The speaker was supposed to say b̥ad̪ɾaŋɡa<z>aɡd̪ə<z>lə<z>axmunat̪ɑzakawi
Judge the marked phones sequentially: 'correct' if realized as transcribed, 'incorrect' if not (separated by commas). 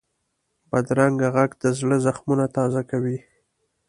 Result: incorrect, correct, correct